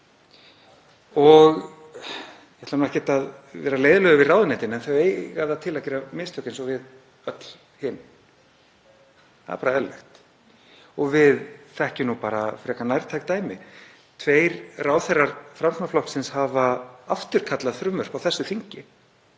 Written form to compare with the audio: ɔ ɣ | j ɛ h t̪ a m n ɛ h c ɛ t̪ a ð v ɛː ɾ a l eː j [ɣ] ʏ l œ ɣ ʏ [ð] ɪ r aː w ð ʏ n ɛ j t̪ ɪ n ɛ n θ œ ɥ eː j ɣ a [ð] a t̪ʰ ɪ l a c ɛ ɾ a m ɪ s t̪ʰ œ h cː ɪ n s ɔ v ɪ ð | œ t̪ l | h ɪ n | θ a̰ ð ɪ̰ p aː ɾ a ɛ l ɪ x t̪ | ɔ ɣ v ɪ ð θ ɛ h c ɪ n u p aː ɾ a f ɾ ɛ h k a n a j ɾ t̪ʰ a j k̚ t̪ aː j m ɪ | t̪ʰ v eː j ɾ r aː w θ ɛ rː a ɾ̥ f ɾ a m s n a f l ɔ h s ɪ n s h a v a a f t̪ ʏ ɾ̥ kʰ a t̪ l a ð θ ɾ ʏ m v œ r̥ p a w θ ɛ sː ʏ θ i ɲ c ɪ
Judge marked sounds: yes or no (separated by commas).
no, no, yes